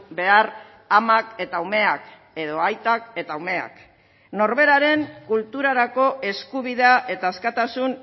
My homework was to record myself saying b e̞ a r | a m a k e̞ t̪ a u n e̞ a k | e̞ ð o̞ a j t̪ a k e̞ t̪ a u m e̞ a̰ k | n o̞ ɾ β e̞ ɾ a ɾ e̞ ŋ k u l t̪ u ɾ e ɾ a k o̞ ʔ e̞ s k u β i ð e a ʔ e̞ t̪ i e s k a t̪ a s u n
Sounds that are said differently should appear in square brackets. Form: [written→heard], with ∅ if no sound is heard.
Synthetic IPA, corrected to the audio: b e̞ a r | a m a k e̞ t̪ a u [n→m] e̞ a k | e̞ ð o̞ a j t̪ a k e̞ t̪ a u m e̞ a̰ k | n o̞ ɾ β e̞ ɾ a ɾ e̞ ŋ k u l t̪ u ɾ [e→a] ɾ a k o̞ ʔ e̞ s k u β i ð e a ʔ e̞ t̪ [i→a] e s k a t̪ a s u n

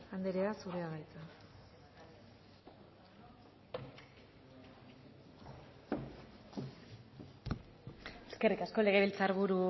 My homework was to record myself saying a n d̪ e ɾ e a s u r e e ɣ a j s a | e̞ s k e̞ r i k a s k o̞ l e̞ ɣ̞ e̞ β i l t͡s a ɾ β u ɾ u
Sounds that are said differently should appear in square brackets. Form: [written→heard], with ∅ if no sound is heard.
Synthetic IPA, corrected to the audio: a n d̪ e ɾ e a s u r e [e→a] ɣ a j [s→t͡s] a | e̞ s k e̞ r i k a s k o̞ l e̞ ɣ̞ e̞ β i l t͡s a ɾ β u ɾ u

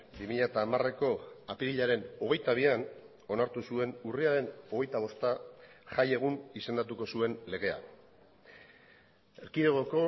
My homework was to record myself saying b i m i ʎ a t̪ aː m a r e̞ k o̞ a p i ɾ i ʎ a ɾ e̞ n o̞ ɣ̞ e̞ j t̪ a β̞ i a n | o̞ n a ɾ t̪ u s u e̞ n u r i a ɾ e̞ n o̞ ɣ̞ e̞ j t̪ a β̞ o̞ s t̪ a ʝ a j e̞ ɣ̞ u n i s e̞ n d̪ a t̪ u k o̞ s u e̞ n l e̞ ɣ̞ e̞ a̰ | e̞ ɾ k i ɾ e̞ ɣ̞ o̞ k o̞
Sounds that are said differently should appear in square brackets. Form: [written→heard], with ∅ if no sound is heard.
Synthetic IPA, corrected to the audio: b i m i ʎ a t̪ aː m a r e̞ k o̞ a p i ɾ i ʎ a ɾ e̞ n o̞ ɣ̞ e̞ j t̪ a β̞ i a n | o̞ n a ɾ t̪ u s u e̞ n u r i a ɾ e̞ n o̞ ɣ̞ e̞ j t̪ a β̞ o̞ s t̪ a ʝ a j e̞ ɣ̞ u n i s e̞ n d̪ a t̪ u k o̞ s u e̞ n l e̞ ɣ̞ e̞ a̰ | e̞ ɾ k i ɾ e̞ ɣ̞ o̞ k o̞

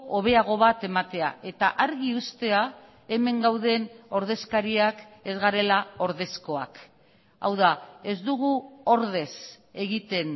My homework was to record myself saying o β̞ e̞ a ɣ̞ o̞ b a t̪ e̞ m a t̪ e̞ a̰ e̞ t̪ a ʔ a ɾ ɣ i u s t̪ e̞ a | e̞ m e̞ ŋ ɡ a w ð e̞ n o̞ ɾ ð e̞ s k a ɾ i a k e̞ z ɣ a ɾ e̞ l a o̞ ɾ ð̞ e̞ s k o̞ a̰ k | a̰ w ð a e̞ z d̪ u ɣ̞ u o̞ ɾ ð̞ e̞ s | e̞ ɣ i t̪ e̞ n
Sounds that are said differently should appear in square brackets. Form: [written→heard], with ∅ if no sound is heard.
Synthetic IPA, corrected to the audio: o β̞ e̞ a ɣ̞ o̞ [b→β] a t̪ e̞ m a t̪ e̞ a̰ e̞ t̪ a ʔ a ɾ ɣ i u s t̪ e̞ a | e̞ m e̞ ŋ ɡ a w ð e̞ n o̞ ɾ ð e̞ s k a ɾ i a k e̞ z ɣ a ɾ e̞ l a o̞ ɾ ð̞ e̞ s k o̞ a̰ k | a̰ w ð a e̞ z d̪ u ɣ̞ u o̞ ɾ ð̞ e̞ s | e̞ ɣ i t̪ e̞ n

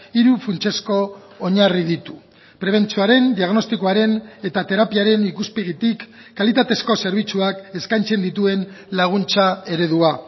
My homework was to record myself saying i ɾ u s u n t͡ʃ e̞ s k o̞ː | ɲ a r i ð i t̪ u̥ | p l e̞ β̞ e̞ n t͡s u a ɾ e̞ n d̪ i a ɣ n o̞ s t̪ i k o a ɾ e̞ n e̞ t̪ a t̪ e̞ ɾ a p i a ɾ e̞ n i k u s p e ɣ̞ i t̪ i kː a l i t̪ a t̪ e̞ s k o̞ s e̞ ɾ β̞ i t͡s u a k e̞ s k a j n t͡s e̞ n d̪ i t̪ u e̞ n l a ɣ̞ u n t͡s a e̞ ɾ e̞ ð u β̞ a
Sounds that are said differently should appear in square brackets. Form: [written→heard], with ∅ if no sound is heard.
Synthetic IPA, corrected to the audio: i ɾ u [s→f] u n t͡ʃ e̞ s k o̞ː | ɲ a r i ð i t̪ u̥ | p [l→ɾ] e̞ β̞ e̞ n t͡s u a ɾ e̞ n d̪ i a ɣ n o̞ s t̪ i k o a ɾ e̞ n e̞ t̪ a t̪ e̞ ɾ a p i a ɾ e̞ n i k u s p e ɣ̞ i t̪ i kː a l i t̪ a t̪ e̞ s k o̞ s e̞ ɾ β̞ i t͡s u a k e̞ s k a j n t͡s e̞ n d̪ i t̪ u e̞ n l a ɣ̞ u n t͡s a e̞ ɾ e̞ ð u [β̞→∅] a

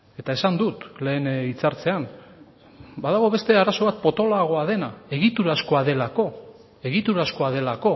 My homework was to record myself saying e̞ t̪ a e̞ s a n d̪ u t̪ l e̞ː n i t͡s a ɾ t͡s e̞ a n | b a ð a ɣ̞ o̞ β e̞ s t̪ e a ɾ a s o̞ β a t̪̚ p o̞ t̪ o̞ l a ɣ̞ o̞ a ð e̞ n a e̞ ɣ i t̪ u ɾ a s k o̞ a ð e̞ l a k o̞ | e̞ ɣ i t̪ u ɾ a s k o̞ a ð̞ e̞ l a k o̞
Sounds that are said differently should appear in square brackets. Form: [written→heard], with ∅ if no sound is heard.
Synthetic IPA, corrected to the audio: e̞ t̪ a e̞ s a n d̪ u t̪ l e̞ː n i t͡s a ɾ t͡s e̞ a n | b a ð a ɣ̞ o̞ β e̞ s t̪ e a ɾ a s o̞ β a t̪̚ p o̞ t̪ o̞ l a ɣ̞ o̞ a ð e̞ n a e̞ ɣ i t̪ u ɾ a s k o̞ a ð e̞ l a k o̞ | e̞ ɣ i t̪ u ɾ a s k o̞ a ð̞ e̞ l a k o̞

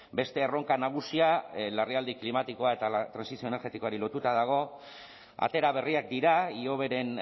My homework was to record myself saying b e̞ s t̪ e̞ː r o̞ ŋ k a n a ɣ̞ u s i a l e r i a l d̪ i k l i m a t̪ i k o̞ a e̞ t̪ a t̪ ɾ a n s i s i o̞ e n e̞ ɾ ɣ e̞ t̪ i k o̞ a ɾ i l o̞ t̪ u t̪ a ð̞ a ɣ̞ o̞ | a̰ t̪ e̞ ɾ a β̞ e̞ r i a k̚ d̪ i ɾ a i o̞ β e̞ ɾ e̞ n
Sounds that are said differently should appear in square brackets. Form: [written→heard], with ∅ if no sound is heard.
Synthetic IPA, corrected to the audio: b e̞ s t̪ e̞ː r o̞ ŋ k a n a ɣ̞ u s i a l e r i a l d̪ i k l i m a t̪ i k o̞ a e̞ t̪ a t̪ ɾ a n s i s i o̞ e n e̞ ɾ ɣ e̞ t̪ i k o̞ a ɾ i l o̞ t̪ u t̪ a ð̞ a ɣ̞ o̞ | a̰ t̪ e̞ ɾ a β̞ e̞ r i a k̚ d̪ i ɾ a i o̞ β e̞ ɾ e̞ n

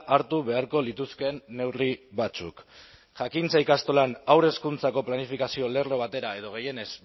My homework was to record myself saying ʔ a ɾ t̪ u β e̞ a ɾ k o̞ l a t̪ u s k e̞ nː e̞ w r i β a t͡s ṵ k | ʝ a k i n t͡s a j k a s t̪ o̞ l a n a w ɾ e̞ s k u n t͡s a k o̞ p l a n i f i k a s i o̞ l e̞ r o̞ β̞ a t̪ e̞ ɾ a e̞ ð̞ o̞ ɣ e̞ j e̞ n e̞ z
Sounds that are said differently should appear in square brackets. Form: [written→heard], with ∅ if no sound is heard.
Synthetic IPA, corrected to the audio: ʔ a ɾ t̪ u β e̞ a ɾ k o̞ l [a→i] t̪ u s k e̞ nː e̞ w r i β a t͡s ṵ k | ʝ a k i n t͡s a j k a s t̪ o̞ l a n a w ɾ e̞ s k u n t͡s a k o̞ p l a n i f i k a s i o̞ l e̞ r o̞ β̞ a t̪ e̞ ɾ a e̞ ð̞ o̞ ɣ e̞ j e̞ n e̞ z

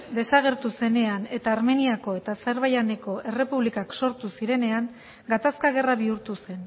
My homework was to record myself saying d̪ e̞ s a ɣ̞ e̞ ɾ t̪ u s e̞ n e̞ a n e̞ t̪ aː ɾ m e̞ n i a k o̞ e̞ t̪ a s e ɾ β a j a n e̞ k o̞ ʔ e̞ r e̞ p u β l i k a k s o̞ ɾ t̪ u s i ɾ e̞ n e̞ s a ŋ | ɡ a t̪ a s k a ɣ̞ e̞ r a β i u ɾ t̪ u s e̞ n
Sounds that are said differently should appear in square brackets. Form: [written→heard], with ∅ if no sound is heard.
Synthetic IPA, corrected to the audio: d̪ e̞ s a ɣ̞ e̞ ɾ t̪ u s e̞ n e̞ a n e̞ t̪ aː ɾ m e̞ n i a k o̞ e̞ t̪ a s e ɾ β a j a n e̞ k o̞ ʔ e̞ r e̞ p u β l i k a k s o̞ ɾ t̪ u s i ɾ e̞ n e̞ [s→∅] a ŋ | ɡ a t̪ a s k a ɣ̞ e̞ r a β i u ɾ t̪ u s e̞ n

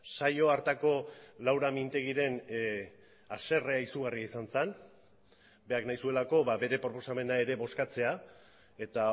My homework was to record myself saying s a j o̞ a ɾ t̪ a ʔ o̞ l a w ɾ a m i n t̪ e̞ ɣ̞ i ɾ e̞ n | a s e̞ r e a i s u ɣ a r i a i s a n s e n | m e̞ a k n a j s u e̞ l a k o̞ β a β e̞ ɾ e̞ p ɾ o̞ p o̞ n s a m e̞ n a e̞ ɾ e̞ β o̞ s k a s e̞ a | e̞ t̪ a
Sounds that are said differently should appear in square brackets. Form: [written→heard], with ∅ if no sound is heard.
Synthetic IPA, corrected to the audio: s a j o̞ a ɾ t̪ a [ʔ→k] o̞ l a w ɾ a m i n t̪ e̞ ɣ̞ i ɾ e̞ n | a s e̞ r e a i s u ɣ a r i a i s a n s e n | [m→b] e̞ a k n a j s u e̞ l a k o̞ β a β e̞ ɾ e̞ p ɾ o̞ p o̞ [n→∅] s a m e̞ n a e̞ ɾ e̞ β o̞ s k a [s→t͡s] e̞ a | e̞ t̪ a

